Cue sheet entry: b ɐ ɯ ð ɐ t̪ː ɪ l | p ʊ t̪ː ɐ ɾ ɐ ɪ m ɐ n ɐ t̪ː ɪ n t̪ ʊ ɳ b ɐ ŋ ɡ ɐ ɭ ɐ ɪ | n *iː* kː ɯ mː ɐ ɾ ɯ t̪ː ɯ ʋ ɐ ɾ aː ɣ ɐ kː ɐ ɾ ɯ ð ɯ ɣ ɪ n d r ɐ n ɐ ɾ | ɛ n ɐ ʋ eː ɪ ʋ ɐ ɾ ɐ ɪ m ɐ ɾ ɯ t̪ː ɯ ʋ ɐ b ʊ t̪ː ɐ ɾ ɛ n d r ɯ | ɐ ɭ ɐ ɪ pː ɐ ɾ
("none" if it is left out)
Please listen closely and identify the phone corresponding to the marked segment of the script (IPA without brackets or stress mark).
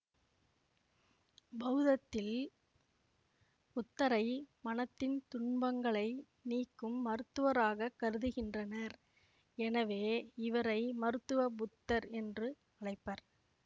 iː